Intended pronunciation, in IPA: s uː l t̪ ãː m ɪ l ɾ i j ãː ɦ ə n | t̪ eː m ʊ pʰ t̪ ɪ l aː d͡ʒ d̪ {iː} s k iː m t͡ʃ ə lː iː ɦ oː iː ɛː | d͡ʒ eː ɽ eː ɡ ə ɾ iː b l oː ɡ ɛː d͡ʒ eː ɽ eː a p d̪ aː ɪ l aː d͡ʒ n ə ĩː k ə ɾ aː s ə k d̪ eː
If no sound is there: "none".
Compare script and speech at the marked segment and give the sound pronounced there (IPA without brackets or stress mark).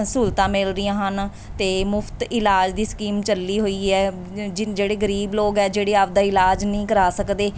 iː